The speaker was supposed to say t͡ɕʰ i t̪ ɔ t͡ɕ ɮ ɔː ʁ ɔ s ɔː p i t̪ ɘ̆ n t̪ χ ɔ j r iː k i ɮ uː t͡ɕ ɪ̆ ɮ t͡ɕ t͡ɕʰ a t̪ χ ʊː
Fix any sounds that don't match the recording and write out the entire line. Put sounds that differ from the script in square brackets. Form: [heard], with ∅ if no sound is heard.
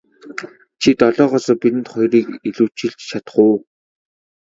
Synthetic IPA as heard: t͡ɕʰ i t̪ ɔ [∅] ɮ ɔː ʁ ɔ s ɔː p i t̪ ɘ̆ n t̪ χ ɔ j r iː k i ɮ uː t͡ɕ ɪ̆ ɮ t͡ɕ t͡ɕʰ a t̪ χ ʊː

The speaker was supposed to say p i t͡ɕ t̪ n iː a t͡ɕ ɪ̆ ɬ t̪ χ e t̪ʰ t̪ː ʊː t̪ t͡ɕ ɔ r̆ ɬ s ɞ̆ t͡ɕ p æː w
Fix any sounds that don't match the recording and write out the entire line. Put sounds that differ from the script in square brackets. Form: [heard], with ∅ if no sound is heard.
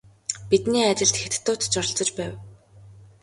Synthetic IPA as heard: p i [∅] t̪ n iː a t͡ɕ ɪ̆ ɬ t̪ [x] e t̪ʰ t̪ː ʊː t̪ t͡ɕ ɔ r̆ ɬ [t͡s] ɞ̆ t͡ɕ p æː w

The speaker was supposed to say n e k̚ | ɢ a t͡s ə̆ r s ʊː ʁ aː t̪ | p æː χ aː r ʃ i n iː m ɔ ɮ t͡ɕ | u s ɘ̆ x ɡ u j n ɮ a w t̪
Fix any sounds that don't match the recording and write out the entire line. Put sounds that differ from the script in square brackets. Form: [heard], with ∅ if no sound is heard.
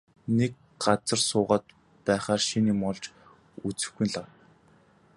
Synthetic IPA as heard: n e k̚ | ɢ a t͡s ə̆ r s ʊː ʁ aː t̪ | p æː χ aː r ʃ i n iː m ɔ ɮ t͡ɕ | u [t͡s] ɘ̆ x ɡ u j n ɮ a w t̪

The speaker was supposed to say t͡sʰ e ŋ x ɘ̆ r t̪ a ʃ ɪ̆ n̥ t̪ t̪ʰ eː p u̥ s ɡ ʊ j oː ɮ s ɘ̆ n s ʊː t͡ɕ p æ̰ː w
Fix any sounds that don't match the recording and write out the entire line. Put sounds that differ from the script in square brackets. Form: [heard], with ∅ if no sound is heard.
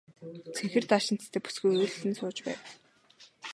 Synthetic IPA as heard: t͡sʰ e ŋ x ɘ̆ r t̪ a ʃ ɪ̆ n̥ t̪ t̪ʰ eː p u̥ s ɡ [u] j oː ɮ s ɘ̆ n s ʊː t͡ɕ p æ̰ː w

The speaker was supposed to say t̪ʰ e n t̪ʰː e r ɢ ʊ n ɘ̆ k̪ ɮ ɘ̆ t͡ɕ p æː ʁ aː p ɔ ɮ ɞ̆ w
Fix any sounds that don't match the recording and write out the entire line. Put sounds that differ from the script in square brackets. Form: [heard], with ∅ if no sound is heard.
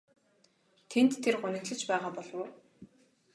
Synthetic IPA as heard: t̪ʰ e n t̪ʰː e r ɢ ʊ n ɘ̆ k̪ ɮ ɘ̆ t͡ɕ p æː ʁ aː p ɔ ɮ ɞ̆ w

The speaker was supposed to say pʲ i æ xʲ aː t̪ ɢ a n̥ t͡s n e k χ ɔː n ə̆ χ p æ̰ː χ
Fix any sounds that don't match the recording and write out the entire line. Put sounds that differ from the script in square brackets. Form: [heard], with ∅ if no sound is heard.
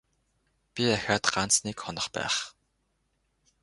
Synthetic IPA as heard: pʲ i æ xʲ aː t̪ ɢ a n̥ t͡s n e k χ [ɔ] n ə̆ χ p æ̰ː χ

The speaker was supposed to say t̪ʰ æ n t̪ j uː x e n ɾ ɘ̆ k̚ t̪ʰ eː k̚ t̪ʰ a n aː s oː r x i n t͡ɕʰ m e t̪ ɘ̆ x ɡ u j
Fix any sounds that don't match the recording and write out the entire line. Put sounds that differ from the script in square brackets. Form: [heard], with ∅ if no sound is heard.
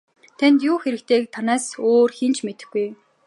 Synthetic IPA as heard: t̪ʰ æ n t̪ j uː x e [∅] ɾ ɘ̆ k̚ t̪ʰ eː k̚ t̪ʰ a n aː s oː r x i n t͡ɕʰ m e t̪ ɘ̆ x ɡ u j

